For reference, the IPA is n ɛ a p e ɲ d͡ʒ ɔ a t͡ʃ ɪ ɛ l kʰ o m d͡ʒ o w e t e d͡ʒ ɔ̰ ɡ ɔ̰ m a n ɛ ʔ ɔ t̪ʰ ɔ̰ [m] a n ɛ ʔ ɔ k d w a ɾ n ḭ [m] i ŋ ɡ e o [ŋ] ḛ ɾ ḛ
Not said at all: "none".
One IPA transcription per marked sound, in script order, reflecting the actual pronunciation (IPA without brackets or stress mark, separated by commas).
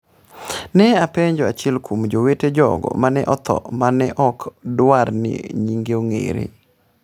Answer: m, ɲ, ŋ